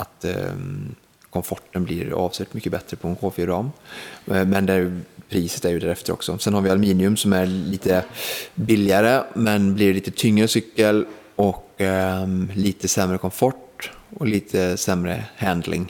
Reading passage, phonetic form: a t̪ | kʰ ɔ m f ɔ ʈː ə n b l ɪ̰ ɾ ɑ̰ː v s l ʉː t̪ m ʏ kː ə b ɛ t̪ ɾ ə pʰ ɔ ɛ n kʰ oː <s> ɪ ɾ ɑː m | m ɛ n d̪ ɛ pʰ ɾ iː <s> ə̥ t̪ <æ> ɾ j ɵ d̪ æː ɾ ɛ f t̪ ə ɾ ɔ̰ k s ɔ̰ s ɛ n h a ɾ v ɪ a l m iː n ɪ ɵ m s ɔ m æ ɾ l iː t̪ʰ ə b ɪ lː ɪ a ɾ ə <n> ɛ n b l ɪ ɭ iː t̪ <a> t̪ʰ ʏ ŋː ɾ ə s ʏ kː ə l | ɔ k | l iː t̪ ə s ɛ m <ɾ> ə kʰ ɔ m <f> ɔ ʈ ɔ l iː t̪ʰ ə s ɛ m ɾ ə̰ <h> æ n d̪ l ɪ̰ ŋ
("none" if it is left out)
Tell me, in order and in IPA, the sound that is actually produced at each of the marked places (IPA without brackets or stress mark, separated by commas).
f, s, æ, m, ə, ɾ, f, h